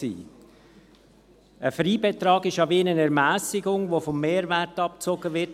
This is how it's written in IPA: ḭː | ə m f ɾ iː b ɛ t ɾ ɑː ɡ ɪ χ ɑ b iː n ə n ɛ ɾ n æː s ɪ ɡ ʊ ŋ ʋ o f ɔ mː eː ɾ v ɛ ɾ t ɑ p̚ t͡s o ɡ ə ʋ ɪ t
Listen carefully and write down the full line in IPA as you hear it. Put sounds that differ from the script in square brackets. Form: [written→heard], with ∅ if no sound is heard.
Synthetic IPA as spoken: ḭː | ə [m→∅] f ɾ iː b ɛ t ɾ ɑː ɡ ɪ [χ→ʃ] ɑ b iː n ə n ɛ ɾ [n→m] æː s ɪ ɡ ʊ ŋ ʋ o f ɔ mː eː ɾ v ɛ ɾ t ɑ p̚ t͡s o ɡ ə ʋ ɪ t